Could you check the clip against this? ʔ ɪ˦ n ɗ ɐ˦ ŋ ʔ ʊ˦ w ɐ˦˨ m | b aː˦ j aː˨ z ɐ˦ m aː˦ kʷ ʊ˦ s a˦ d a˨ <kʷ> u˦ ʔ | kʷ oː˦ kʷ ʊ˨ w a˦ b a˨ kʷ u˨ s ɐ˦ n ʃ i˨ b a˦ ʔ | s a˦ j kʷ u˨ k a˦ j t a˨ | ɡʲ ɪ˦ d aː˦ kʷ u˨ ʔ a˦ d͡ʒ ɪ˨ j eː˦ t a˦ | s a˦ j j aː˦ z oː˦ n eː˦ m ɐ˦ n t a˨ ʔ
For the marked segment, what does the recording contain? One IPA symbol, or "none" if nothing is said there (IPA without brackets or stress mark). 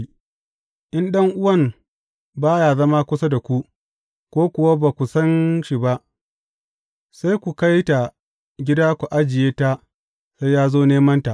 kʷ